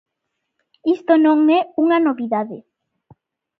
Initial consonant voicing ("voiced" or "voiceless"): voiceless